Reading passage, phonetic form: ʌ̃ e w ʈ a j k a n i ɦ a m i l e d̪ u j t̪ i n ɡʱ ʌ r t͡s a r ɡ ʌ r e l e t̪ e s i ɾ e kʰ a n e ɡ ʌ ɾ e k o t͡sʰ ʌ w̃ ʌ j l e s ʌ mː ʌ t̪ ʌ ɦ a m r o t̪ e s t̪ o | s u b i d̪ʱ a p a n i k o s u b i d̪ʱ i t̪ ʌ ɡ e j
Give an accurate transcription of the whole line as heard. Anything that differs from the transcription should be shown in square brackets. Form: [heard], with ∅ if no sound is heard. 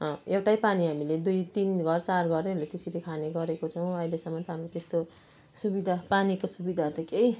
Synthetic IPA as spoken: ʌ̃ e w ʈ a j [p] a n i ɦ a m i l e d̪ u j t̪ i n ɡʱ ʌ r t͡s a r ɡ ʌ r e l e t̪ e s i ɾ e kʰ a n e ɡ ʌ ɾ e k o t͡sʰ ʌ w̃ ʌ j l e s ʌ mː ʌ t̪ ʌ ɦ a m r o t̪ e s t̪ o | s u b i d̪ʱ a p a n i k o s u b i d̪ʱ [a] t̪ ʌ [k] e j